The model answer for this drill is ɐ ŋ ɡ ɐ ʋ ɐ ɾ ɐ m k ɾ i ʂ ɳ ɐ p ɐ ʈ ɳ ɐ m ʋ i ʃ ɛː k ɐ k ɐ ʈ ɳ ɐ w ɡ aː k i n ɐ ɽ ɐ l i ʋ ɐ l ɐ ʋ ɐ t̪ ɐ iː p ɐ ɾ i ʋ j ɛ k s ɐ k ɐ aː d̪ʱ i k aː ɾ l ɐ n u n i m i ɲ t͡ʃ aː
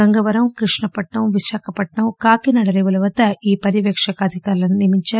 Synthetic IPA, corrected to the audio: ɐ ŋ ɡ ɐ ʋ ɐ ɾ ɐ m k ɾ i ʂ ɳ ɐ p ɐ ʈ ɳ ɐ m ʋ i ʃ aː k ɐ p ɐ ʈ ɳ ɐ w k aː k i n ɐ ɽ ɐ l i ʋ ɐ l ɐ ʋ ɐ t̪ ɐ iː p ɐ ɾ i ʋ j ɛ k ʂ ɐ k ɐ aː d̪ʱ i k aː ɾ l ɐ n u n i m i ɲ t͡ʃ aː

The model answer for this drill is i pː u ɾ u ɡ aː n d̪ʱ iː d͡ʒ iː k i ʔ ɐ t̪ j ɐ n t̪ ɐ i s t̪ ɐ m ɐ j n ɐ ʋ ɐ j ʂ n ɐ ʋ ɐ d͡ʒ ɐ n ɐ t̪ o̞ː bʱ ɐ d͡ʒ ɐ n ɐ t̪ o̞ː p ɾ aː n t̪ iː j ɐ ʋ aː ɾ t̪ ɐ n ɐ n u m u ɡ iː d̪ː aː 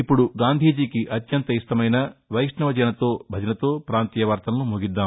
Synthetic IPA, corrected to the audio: i pː u ɽ u ɡ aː n d̪ʱ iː d͡ʒ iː k i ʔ ɐ t̪ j ɐ n t̪ ɐ i s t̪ ɐ m ɐ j n ɐ ʋ ɐ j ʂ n ɐ ʋ ɐ d͡ʒ ɐ n ɐ t̪ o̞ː bʱ ɐ d͡ʒ ɐ n ɐ t̪ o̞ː p ɾ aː n t̪ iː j ɐ ʋ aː ɾ t̪ ɐ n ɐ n u m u ɡ i d̪ː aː

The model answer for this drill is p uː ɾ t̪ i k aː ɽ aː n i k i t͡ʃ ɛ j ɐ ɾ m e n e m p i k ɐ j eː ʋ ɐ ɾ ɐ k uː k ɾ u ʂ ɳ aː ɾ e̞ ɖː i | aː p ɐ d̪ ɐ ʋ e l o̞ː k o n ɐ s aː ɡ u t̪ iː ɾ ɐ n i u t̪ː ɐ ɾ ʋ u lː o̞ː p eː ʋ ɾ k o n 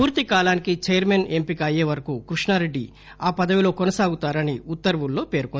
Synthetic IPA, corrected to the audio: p uː ɾ t̪ i k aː l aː n i k i t͡ʃ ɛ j ɐ ɾ m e n e m p i k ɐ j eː ʋ ɐ ɾ ɐ k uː k ɾ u ʂ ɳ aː ɾ e̞ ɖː i | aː p ɐ d̪ ɐ ʋ i l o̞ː k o n ɐ s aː ɡ u t̪ aː ɾ ɐ n i u t̪ː ɐ ɾ ʋ u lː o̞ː p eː ɾ k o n

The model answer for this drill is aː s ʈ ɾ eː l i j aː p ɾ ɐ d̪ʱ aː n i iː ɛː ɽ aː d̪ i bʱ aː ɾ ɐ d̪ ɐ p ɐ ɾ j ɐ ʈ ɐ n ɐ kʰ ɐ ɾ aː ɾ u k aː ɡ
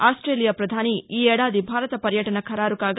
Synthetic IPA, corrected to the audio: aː s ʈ ɾ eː l i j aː p ɾ ɐ d̪ʱ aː n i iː ɛː ɽ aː d̪ i bʱ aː ɾ ɐ t̪ ɐ p ɐ ɾ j ɐ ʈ ɐ n ɐ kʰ ɐ ɾ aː ɾ u k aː ɡ

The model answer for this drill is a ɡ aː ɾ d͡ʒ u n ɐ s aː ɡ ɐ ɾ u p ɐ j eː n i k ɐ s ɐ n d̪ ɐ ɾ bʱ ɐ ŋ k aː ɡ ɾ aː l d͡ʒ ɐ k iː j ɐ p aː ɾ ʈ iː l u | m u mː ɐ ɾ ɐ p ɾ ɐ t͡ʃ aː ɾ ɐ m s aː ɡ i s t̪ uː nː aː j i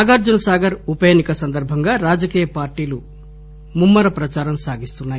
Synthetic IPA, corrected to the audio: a ɡ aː ɾ d͡ʒ u n ɐ s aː ɡ ɐ ɾ u p ɐ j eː n i k ɐ s ɐ n d̪ ɐ ɾ bʱ ɐ ŋ ɡ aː ɾ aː d͡ʒ ɐ k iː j ɐ p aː ɾ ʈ iː l u | m u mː ɐ ɾ ɐ p ɾ ɐ t͡ʃ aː ɾ ɐ m s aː ɡ i s t̪ u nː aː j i

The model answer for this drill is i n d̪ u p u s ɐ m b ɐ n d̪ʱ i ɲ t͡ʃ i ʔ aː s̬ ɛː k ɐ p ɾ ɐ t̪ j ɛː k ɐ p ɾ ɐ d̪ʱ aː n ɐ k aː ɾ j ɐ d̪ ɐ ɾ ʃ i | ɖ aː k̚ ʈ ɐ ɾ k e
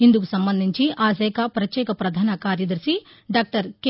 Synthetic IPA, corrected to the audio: i n d̪ u k u s ɐ m b ɐ n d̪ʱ i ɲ t͡ʃ i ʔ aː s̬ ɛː k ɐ p ɾ ɐ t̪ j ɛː k ɐ p ɾ ɐ d̪ʱ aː n ɐ k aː ɾ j ɐ d̪ ɐ ɾ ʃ i | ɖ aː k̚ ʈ ɐ ɾ k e

